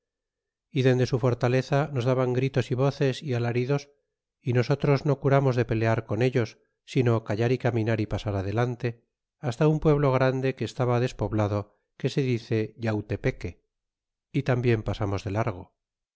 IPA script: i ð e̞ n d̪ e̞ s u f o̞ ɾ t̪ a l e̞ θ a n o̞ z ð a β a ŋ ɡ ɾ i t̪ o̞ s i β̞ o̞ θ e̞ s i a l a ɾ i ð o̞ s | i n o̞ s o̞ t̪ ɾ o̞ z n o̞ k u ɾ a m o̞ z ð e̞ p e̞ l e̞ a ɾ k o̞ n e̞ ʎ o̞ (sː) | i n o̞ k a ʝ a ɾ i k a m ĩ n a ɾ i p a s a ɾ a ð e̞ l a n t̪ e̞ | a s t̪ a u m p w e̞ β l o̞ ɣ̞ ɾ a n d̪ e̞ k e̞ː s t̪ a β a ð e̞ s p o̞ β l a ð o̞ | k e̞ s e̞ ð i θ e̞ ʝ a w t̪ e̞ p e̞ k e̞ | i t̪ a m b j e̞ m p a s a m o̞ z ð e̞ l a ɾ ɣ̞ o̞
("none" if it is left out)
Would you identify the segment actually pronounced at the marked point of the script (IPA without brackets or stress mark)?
sː